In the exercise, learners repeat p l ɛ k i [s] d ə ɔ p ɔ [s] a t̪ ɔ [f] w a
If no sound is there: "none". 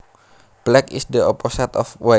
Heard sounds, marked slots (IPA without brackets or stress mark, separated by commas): s, s, f